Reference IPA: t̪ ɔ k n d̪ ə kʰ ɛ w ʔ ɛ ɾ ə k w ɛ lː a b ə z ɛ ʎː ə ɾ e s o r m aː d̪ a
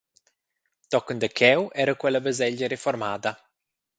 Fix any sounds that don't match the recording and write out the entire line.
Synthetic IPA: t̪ ɔ k n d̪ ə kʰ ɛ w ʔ ɛ ɾ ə k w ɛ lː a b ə z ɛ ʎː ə ɾ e f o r m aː d̪ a